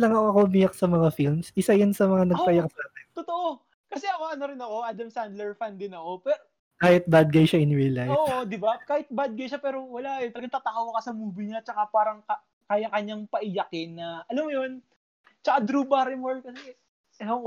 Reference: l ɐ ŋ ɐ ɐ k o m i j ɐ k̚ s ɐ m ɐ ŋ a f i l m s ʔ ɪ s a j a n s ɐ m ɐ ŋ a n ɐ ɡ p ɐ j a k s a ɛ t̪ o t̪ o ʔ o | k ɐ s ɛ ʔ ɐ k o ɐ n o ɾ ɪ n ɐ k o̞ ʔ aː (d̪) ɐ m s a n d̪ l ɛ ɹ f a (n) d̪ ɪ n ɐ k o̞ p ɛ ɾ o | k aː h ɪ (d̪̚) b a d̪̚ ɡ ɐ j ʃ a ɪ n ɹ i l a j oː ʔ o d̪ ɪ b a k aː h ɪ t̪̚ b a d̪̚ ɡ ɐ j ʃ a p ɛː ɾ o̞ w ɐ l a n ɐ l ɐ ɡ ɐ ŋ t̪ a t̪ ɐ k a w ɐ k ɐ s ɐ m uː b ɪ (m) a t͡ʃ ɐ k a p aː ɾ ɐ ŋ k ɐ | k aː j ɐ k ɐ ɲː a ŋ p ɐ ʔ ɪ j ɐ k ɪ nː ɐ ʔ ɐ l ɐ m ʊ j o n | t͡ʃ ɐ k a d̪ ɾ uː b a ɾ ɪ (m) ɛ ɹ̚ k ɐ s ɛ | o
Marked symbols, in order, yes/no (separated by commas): yes, yes, no, no, yes